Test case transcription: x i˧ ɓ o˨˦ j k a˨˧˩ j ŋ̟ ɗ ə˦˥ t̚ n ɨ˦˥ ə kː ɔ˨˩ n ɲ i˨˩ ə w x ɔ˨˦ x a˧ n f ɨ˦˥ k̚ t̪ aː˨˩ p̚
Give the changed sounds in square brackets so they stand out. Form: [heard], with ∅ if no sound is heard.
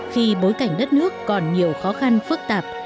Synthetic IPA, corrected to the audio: x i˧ ɓ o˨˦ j k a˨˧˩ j ŋ̟ ɗ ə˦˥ t̚ n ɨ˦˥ ə kː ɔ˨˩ n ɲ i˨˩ ə w x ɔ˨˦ x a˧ n f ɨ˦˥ k̚ t̪ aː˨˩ p̚